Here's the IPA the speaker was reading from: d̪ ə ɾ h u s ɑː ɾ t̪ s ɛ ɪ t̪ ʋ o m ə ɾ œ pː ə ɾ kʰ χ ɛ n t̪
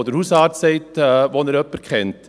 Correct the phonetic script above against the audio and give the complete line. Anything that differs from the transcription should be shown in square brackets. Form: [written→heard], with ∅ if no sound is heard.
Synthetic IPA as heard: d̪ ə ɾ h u s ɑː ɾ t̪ s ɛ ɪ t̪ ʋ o [m→n] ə ɾ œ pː ə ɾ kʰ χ ɛ n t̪